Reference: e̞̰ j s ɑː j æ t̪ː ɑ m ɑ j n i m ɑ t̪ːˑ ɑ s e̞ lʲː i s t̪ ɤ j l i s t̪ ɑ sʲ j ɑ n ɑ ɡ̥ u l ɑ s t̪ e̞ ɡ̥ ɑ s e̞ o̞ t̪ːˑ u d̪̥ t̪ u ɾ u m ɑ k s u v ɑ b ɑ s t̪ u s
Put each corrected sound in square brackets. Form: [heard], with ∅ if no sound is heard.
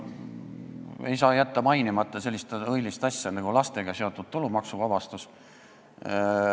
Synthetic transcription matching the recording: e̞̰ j s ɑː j æ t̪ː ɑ m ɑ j n i m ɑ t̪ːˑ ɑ s e̞ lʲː i s t̪ ɤ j l i s t̪ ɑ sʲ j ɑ n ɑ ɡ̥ u l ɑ s t̪ e̞ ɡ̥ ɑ s e̞ o̞ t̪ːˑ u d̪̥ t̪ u [l] u m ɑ k s u v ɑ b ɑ s t̪ u s